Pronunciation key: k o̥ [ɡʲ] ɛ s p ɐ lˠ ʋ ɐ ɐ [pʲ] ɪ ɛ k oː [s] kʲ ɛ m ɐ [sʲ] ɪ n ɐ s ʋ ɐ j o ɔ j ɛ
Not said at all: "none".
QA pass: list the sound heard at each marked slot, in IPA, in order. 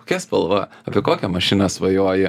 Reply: kʲ, pʲ, none, ʃʲ

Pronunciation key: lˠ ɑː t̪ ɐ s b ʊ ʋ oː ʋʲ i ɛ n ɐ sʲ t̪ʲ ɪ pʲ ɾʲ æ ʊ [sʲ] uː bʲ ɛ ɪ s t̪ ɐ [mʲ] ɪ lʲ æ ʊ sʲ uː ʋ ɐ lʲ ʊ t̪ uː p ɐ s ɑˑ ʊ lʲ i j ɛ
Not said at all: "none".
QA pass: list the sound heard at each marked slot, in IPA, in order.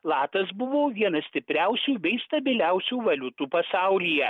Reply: sʲ, bʲ

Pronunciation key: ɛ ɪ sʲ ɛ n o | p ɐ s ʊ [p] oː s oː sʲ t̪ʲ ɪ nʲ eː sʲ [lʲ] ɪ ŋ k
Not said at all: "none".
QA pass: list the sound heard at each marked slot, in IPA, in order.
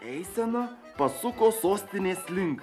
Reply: k, lʲ

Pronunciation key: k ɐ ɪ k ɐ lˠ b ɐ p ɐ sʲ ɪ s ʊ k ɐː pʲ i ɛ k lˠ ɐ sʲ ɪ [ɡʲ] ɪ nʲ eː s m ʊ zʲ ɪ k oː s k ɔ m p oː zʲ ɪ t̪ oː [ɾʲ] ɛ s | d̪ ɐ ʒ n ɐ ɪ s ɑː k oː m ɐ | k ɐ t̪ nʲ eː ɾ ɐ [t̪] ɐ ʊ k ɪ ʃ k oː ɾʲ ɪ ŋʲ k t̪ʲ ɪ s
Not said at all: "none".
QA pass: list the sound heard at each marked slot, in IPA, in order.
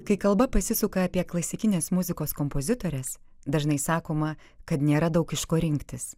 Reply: kʲ, ɾʲ, d̪

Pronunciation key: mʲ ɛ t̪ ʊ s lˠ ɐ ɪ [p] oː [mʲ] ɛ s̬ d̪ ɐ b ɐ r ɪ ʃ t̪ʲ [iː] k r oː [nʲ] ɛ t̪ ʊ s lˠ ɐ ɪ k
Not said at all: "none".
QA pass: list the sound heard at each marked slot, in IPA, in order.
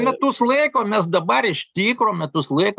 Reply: k, mʲ, iː, mʲ

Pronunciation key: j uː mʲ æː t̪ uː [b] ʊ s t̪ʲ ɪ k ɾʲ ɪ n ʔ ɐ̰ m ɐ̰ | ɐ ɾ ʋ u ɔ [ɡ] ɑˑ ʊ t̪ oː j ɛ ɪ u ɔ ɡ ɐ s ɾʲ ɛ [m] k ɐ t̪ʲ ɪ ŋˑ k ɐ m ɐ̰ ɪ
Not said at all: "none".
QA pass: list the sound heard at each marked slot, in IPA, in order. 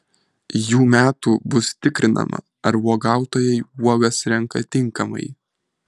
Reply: b, ɡ, ŋ

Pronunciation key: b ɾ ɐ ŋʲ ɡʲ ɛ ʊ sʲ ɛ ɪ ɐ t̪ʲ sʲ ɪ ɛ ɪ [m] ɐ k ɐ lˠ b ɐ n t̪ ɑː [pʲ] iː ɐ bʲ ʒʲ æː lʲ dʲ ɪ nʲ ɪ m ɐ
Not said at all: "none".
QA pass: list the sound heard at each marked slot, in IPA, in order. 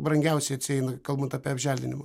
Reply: n, pʲ

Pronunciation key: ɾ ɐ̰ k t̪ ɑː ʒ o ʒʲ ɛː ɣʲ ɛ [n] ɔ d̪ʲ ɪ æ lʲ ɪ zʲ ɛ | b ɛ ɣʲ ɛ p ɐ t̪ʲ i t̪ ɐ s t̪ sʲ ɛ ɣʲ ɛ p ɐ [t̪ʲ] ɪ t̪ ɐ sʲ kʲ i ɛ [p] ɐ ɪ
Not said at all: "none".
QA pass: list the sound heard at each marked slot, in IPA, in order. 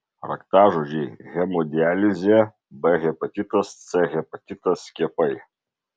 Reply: m, t̪ʲ, p

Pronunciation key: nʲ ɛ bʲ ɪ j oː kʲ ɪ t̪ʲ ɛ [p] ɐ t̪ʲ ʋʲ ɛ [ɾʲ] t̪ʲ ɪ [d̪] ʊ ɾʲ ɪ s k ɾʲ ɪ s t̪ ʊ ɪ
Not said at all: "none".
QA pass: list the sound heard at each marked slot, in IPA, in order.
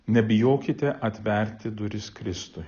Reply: ʔ, ɾʲ, d̪

